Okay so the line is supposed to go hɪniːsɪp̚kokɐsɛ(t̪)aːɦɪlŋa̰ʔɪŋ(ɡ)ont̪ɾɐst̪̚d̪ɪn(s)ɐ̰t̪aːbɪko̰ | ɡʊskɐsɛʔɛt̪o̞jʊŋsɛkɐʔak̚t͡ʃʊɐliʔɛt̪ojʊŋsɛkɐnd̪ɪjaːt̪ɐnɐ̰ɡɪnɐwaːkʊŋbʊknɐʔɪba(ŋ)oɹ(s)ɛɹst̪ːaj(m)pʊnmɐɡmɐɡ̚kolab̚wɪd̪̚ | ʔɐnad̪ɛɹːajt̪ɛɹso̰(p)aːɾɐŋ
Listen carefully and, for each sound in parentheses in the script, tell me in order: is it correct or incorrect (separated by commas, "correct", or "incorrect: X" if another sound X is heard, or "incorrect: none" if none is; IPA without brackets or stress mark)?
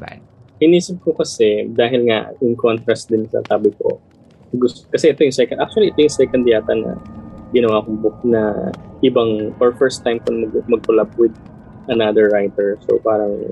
incorrect: d̪, incorrect: k, correct, correct, incorrect: f, correct, correct